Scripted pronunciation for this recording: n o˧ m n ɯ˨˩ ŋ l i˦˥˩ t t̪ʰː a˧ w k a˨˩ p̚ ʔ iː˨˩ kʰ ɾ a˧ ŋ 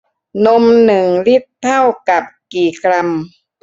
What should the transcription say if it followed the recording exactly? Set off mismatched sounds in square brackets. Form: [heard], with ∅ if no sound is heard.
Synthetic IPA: n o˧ m n ɯ˨˩ ŋ l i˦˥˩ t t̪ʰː [a˥˩] w k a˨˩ p̚ [k] iː˨˩ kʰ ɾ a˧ [m]

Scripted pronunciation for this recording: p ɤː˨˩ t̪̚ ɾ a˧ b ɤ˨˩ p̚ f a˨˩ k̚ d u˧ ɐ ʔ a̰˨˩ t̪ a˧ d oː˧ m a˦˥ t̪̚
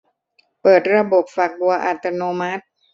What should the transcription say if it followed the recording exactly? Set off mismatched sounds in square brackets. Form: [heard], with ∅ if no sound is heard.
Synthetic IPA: p ɤː˨˩ t̪̚ ɾ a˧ b [o˨˩] p̚ f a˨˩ k̚ [b] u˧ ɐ ʔ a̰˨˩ t̪ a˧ [n] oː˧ m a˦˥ t̪̚

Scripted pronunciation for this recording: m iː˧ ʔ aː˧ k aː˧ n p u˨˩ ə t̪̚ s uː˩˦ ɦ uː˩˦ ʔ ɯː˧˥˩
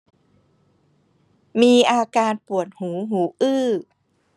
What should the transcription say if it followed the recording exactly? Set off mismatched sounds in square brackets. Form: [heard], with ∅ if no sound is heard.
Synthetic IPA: m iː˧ ʔ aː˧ k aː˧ n p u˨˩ ə t̪̚ [h] uː˩˦ ɦ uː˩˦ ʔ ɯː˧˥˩

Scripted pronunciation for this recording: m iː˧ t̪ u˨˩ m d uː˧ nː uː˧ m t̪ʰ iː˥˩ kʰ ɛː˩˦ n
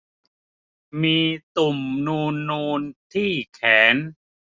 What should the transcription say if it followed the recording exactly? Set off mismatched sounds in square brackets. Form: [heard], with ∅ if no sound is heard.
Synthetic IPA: m iː˧ t̪ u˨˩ m [n] uː˧ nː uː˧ [n] t̪ʰ iː˥˩ kʰ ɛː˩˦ n

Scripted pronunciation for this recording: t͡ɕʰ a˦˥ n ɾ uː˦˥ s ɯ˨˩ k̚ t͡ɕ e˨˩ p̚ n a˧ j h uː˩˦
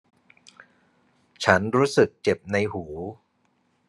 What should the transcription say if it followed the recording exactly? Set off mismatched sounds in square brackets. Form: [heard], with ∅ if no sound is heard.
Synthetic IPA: t͡ɕʰ a˦˥ n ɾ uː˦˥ s ɯ˨˩ k̚ t͡ɕ e˨˩ p̚ n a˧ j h uː˩˦

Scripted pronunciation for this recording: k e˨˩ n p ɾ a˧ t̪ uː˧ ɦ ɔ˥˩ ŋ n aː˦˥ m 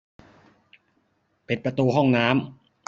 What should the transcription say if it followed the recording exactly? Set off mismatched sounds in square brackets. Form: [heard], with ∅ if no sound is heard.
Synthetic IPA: [p] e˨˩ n p ɾ a˧ t̪ uː˧ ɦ ɔ˥˩ ŋ n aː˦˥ m

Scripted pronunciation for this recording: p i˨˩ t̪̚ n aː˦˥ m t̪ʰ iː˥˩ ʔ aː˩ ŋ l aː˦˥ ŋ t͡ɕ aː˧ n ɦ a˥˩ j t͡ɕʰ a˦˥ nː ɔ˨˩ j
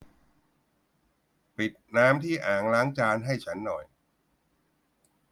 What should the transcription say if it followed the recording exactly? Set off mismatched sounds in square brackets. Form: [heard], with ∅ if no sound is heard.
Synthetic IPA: p i˨˩ t̪̚ n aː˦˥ m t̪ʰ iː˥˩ ʔ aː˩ ŋ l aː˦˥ ŋ t͡ɕ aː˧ n ɦ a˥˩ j t͡ɕʰ a˦˥ nː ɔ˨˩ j

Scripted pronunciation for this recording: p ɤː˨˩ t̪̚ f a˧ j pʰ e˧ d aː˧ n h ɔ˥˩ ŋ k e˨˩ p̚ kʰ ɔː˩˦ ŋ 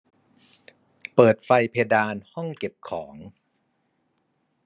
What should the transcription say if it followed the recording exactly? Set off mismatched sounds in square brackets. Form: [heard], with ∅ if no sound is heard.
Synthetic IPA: p ɤː˨˩ t̪̚ f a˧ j pʰ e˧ d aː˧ n h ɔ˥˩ ŋ k e˨˩ p̚ kʰ ɔː˩˦ ŋ

